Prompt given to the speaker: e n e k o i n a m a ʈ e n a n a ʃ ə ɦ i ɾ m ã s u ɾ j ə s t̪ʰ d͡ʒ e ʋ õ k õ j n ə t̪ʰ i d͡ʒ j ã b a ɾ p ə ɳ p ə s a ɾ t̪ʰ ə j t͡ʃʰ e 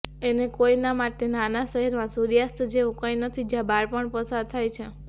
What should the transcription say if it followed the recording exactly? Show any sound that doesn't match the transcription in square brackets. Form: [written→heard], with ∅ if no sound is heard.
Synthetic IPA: e n e k o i n a m a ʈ e n a n a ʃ ə ɦ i ɾ m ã s u ɾ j [ə→a] s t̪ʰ d͡ʒ e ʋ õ k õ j n ə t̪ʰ i d͡ʒ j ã b a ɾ p ə ɳ p ə s a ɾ t̪ʰ [ə→a] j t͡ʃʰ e